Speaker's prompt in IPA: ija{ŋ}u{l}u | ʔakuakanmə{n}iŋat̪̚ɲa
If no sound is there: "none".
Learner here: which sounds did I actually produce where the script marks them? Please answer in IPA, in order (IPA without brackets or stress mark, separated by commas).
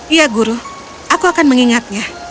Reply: ɡ, ɾ, ŋ